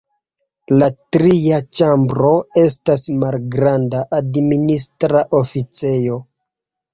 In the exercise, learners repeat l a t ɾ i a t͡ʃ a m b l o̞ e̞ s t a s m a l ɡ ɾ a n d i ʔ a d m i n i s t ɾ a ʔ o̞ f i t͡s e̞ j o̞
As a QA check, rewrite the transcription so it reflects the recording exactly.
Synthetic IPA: l a t ɾ i a t͡ʃ a m b ɾ o̞ e̞ s t a s m a l ɡ ɾ a n d a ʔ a d m i n i s t ɾ a ʔ o̞ f i t͡s e̞ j o̞